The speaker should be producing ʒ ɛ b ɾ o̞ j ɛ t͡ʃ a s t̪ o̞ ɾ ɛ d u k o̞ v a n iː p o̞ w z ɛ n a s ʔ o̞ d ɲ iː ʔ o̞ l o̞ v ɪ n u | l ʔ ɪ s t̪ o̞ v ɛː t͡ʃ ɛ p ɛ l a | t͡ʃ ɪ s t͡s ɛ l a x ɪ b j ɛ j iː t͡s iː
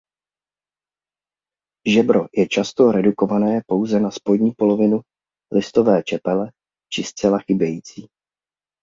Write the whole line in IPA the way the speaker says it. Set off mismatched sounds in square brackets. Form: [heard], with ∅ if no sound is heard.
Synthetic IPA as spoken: ʒ ɛ b ɾ o̞ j ɛ t͡ʃ a s t̪ o̞ ɾ ɛ d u k o̞ v a n [ɛː] p o̞ w z ɛ n a s [p] o̞ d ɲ iː [p] o̞ l o̞ v ɪ n u | l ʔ ɪ s t̪ o̞ v ɛː t͡ʃ ɛ p ɛ l [ɛ] | t͡ʃ ɪ s t͡s ɛ l a x ɪ b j ɛ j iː t͡s iː